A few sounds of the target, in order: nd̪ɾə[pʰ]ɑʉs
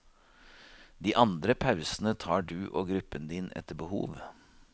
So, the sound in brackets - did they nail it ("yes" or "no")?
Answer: yes